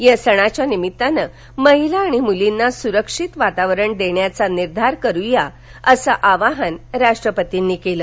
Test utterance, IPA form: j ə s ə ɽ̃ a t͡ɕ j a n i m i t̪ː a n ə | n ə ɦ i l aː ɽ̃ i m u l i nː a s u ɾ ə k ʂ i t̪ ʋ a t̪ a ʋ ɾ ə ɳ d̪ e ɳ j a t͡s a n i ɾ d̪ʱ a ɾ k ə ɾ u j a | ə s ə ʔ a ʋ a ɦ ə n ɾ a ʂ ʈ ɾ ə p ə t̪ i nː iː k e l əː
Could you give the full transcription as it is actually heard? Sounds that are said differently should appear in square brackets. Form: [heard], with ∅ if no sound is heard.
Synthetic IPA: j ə s ə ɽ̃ a t͡ɕ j a n i m i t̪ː a n ə | [m] ə ɦ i l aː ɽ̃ i m u l i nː a s u ɾ ə k ʂ i t̪ ʋ a t̪ a ʋ ɾ ə ɳ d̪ e ɳ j a t͡s a n i ɾ d̪ʱ a ɾ k ə ɾ u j a | ə s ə ʔ a ʋ a ɦ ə n ɾ a ʂ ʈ ɾ ə p ə t̪ i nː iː k e l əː